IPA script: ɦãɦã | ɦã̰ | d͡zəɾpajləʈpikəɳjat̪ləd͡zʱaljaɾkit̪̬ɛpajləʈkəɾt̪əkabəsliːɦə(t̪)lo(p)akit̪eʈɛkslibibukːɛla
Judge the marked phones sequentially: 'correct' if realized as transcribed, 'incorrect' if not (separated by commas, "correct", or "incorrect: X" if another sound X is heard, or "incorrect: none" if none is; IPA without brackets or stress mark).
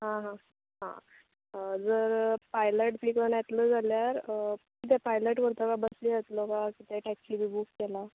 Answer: correct, incorrect: k